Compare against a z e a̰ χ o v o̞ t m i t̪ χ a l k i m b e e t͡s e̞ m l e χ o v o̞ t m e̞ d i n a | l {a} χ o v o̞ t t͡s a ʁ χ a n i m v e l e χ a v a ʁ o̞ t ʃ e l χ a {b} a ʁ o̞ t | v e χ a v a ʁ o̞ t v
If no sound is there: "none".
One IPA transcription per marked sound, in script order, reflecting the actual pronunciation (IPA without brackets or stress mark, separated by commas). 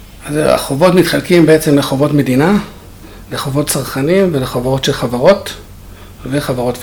e, v